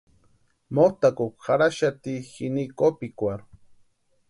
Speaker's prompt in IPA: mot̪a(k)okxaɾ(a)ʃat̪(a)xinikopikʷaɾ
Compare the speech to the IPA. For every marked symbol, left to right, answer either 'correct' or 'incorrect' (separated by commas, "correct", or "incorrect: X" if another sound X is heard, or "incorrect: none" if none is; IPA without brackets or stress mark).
correct, correct, incorrect: i